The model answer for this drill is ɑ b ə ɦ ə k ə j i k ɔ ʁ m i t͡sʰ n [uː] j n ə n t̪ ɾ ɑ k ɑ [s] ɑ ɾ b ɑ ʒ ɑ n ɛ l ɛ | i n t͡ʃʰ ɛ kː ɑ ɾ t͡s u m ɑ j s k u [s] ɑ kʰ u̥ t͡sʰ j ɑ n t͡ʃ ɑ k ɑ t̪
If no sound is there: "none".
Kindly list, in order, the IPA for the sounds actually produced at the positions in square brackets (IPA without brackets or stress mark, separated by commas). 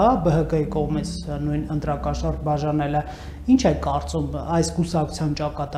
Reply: u, ʃ, s